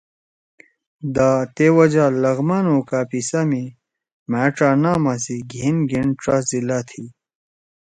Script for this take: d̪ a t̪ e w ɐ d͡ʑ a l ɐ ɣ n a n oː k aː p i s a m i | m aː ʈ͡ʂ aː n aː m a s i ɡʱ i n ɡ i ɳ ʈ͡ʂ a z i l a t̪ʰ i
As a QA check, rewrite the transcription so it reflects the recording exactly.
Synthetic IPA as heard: d̪ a t̪ e w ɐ d͡ʑ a l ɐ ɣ m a n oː k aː p i s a m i | m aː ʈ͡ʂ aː n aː m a s i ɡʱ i n ɡ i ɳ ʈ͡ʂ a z i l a t̪ʰ i